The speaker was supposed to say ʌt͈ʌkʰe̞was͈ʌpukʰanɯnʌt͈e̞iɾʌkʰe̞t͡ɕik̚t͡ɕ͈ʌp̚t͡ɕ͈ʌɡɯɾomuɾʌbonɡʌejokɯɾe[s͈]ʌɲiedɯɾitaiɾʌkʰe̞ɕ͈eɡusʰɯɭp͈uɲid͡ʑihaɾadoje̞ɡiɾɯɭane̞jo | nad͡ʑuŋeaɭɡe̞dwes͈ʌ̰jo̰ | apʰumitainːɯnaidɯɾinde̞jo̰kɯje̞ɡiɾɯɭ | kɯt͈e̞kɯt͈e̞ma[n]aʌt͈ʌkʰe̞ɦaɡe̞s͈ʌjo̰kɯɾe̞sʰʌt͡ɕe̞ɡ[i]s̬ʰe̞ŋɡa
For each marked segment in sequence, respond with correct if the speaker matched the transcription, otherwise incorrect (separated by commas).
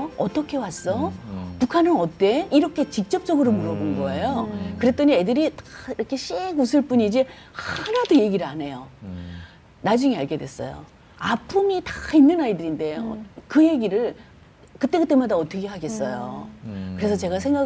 incorrect, incorrect, incorrect